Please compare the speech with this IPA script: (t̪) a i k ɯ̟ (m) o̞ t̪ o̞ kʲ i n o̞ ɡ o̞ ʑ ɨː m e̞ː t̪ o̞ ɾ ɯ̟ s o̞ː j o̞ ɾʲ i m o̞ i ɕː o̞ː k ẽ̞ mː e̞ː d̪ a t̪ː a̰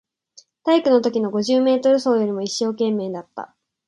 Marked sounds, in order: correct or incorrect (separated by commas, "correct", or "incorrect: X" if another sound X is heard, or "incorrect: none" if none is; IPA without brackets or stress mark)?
correct, incorrect: n